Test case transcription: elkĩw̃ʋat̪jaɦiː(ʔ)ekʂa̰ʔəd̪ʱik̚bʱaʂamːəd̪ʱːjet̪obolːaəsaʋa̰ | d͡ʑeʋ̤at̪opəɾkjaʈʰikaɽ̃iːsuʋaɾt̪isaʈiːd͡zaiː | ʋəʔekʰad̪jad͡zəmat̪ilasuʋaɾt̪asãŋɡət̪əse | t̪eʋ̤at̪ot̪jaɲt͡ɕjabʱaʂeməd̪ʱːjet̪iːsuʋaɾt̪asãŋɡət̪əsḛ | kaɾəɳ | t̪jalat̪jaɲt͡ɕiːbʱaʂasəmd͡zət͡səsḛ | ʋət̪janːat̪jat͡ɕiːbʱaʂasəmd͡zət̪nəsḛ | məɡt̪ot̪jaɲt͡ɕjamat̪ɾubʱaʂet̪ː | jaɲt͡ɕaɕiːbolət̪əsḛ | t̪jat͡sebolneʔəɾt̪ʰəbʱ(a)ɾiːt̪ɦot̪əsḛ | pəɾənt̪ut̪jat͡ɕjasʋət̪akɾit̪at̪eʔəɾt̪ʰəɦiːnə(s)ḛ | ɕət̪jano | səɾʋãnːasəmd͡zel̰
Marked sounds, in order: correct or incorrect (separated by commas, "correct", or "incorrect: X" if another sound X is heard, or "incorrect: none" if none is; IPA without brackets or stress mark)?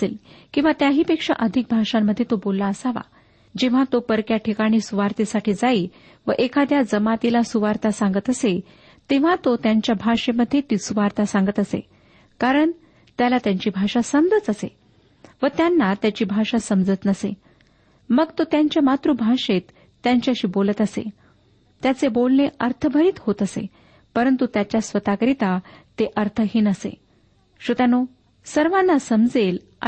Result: incorrect: p, incorrect: ə, correct